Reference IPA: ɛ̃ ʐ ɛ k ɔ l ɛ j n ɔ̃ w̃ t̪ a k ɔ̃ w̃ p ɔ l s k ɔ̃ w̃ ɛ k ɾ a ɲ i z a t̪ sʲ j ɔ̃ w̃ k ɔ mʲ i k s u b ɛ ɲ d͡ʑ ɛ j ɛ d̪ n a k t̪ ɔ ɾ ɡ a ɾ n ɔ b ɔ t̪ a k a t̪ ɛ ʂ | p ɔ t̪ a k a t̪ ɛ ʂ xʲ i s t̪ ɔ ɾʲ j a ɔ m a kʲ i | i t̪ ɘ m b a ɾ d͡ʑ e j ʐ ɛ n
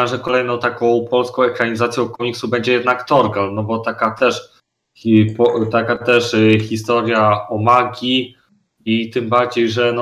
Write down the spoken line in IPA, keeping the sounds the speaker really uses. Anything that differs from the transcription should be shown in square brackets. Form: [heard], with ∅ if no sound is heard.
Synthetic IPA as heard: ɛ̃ ʐ ɛ k ɔ l ɛ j n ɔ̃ w̃ t̪ a k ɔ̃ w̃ p ɔ l s k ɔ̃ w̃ ɛ k ɾ a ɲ i z a t̪ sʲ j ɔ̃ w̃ k ɔ mʲ i k s u b ɛ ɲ d͡ʑ ɛ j ɛ d̪ n a k t̪ ɔ ɾ ɡ a [l] n ɔ b ɔ t̪ a k a t̪ ɛ ʂ | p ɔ t̪ a k a t̪ ɛ ʂ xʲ i s t̪ ɔ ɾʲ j a ɔ m a [ɡʲ] i | i t̪ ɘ m b a ɾ d͡ʑ e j ʐ ɛ n